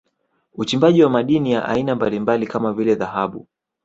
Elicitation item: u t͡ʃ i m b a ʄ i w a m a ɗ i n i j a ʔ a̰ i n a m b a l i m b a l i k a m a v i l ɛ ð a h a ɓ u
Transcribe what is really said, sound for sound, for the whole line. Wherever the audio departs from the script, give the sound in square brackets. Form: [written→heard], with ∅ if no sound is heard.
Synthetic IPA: u t͡ʃ i m b a ʄ i w a m a ɗ i n i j a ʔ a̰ i n a m b a l i m b a l i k a m a v i l ɛ ð a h a ɓ u

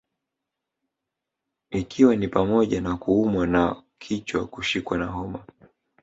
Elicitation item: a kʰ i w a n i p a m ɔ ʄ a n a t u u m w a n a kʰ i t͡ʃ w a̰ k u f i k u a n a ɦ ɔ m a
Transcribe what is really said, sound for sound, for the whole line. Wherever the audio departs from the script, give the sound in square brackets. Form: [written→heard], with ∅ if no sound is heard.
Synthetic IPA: [a→i] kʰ i w a n i p a m ɔ ʄ a n a [t→k] u u m w a n a kʰ i t͡ʃ w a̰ k u [f→ʃ] i k [u→w] a n a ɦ ɔ m a

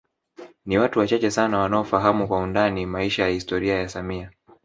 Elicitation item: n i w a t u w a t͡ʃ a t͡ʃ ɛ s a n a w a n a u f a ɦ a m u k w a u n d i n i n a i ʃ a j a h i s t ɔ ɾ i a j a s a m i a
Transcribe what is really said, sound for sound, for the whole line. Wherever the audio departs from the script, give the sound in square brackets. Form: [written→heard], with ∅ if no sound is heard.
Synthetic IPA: n i w a t u w a t͡ʃ a t͡ʃ ɛ s a n a w a n a [u→ɔ] f a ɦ a m u k w a u n d [i→a] n i [n→m] a i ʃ a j a h i s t ɔ ɾ i a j a s a m i a

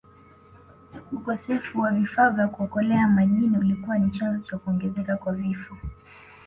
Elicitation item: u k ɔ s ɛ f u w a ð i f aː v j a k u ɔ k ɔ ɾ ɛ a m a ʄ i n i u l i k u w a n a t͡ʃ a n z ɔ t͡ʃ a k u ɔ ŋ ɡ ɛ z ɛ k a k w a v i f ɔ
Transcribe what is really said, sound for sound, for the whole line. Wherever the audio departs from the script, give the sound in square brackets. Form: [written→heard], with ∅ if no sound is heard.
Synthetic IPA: u k ɔ s ɛ f u w a [ð→v] i f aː v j a k u ɔ k ɔ [ɾ→l] ɛ a m a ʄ i n i u l i k u w a n [a→i] t͡ʃ a n z ɔ t͡ʃ a k u ɔ ŋ ɡ ɛ z ɛ k a k w a v i f ɔ

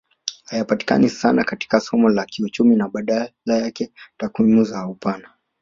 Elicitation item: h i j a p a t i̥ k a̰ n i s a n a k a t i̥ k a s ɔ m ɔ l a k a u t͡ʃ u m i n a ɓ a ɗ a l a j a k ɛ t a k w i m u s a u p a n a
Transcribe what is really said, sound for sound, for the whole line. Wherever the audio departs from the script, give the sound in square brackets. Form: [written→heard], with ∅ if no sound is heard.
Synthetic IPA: h [i→a] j a p a t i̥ k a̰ n i s a n a k a t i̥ k a s ɔ m ɔ l a k [a→i] u t͡ʃ u m i n a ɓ a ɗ a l a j a k ɛ t a k w i m u [s→z] a u p a n a

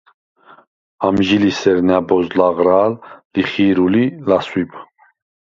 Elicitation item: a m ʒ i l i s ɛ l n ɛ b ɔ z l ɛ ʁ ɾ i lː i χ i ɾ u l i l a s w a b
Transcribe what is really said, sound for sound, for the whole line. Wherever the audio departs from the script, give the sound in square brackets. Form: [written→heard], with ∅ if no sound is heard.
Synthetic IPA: a m ʒ i l i s ɛ [l→ɾ] n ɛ b ɔ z l [ɛ→a] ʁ ɾ [i→a] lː i χ i ɾ u l i l a s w [a→i] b

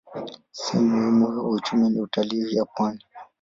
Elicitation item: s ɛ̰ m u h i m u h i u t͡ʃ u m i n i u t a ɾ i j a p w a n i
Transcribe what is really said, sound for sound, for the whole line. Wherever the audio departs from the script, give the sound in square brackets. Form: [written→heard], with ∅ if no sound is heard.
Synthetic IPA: s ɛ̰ m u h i m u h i u t͡ʃ u m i n i u t a [ɾ→l] i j a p w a n i

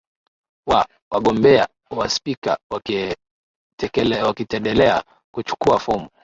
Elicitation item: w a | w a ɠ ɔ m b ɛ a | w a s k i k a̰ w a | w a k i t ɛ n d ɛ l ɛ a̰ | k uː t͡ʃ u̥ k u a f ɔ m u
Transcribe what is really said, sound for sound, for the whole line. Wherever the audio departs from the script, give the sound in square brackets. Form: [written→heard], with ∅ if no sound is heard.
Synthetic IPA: w a | w a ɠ ɔ m b ɛ a | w a s [k→p] i k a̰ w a | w a k i t ɛ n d ɛ l ɛ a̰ | k [uː→u] t͡ʃ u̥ k u a f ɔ m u

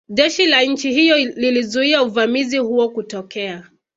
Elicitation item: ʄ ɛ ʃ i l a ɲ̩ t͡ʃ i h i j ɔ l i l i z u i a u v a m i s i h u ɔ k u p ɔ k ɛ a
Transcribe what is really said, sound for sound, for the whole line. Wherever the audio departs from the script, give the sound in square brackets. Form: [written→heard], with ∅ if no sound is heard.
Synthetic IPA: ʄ ɛ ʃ i l a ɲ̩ t͡ʃ i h i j ɔ l i l i z u i a u v a m i [s→z] i h u ɔ k u [p→t] ɔ k ɛ a

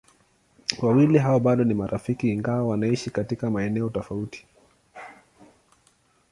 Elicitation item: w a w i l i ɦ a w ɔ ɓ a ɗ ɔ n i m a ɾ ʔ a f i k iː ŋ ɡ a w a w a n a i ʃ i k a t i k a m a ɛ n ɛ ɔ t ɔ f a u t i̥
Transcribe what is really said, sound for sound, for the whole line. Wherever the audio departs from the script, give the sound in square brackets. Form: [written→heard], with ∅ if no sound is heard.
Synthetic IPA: w a w i l i ɦ a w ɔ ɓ a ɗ ɔ n i m a ɾ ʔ a f i k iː ŋ ɡ a w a w a n a i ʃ i k a t i k a m a ɛ n ɛ ɔ t ɔ f a u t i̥

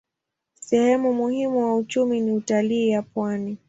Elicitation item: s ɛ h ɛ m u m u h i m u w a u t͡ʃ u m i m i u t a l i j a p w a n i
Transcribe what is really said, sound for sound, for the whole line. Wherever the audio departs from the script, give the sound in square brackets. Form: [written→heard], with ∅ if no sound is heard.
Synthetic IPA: s ɛ h ɛ m u m u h i m u w a u t͡ʃ u m i [m→n] i u t a l [i→iː] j a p w a n i

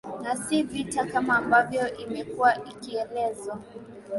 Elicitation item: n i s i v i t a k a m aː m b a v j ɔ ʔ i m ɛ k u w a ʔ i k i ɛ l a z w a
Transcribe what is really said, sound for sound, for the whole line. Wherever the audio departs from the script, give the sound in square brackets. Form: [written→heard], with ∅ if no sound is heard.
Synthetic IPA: n [i→a] s i v i t a k a m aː m b a v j ɔ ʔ i m ɛ k u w a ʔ i k i ɛ l [a→ɛ] z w a

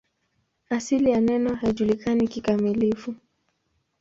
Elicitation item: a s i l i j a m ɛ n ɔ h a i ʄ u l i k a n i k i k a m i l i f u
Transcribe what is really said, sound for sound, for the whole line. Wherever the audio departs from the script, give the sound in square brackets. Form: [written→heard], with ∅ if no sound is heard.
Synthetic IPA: a s i l i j a [m→n] ɛ n ɔ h a i ʄ u l i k a n i k i k a m i l i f u

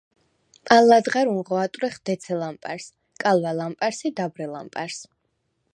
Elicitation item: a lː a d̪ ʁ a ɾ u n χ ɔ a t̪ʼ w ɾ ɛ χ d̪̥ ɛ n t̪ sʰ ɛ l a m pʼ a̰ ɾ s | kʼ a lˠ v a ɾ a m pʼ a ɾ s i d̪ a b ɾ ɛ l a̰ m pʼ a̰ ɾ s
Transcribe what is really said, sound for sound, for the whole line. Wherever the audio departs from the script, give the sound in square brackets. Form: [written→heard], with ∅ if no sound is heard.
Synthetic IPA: a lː a d̪ ʁ a ɾ u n [χ→ʁ] ɔ a t̪ʼ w ɾ ɛ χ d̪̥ ɛ [n→∅] t̪ sʰ ɛ l a m pʼ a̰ ɾ s | kʼ a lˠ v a [ɾ→l] a m pʼ a ɾ s i d̪ a b ɾ ɛ l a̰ m pʼ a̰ ɾ s

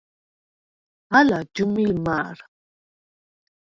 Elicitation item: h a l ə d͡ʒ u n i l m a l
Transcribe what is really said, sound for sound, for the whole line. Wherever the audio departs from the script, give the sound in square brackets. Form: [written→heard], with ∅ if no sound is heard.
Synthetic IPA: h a l [ə→a] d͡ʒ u [n→m] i l m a [l→ɾ]

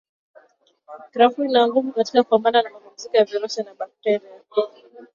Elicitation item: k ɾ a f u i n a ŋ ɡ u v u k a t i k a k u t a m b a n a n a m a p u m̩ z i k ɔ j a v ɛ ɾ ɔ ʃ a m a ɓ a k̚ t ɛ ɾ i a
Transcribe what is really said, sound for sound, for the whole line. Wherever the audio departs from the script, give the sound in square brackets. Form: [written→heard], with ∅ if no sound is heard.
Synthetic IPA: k ɾ a f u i n a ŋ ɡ u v u k a t i k a k u [t→p] a m b a n a n a m a p u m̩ z i k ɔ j a v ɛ ɾ ɔ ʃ a [m→n] a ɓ a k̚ t ɛ ɾ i a

